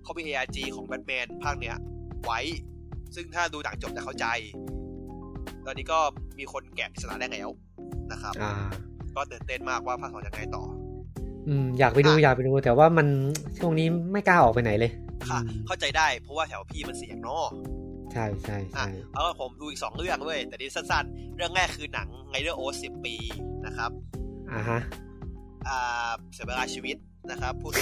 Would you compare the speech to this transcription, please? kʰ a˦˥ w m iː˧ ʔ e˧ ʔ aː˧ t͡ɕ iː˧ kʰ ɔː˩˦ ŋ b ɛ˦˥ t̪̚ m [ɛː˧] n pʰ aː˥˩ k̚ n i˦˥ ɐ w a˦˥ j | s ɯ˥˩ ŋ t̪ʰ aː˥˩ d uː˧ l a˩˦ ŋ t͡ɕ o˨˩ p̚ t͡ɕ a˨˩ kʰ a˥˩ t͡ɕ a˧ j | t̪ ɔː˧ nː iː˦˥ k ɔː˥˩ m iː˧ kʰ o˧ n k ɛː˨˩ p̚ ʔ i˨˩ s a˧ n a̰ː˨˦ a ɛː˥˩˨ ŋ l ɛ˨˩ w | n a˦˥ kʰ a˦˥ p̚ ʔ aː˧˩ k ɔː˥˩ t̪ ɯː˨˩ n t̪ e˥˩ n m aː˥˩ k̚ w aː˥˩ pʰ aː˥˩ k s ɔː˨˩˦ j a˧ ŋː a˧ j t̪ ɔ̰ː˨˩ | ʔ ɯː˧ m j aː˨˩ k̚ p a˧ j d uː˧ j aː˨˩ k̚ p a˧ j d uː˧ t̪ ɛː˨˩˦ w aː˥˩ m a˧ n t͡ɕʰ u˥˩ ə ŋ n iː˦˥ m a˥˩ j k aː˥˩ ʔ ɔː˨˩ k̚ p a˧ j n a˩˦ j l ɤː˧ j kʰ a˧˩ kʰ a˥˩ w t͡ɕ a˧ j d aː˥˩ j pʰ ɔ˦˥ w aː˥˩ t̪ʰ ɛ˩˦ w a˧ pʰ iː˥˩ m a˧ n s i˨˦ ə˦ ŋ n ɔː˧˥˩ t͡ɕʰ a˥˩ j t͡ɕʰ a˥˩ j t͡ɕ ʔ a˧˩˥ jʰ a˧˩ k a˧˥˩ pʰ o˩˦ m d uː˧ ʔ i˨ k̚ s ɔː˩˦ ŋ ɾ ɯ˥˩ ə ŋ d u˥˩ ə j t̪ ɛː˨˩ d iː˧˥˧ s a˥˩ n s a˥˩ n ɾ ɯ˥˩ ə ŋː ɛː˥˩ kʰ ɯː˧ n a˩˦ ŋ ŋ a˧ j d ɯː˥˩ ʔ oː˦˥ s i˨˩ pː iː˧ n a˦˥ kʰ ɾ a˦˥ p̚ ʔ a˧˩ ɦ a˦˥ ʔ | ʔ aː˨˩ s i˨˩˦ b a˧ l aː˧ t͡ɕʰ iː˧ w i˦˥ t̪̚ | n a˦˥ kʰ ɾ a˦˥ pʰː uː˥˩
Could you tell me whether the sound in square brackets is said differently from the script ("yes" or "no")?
no